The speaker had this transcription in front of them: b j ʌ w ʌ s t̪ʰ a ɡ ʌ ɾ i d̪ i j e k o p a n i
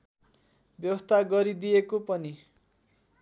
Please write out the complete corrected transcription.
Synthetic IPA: b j ʌ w ʌ s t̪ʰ a ɡ ʌ ɾ i d̪ i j e k o p ʌ n i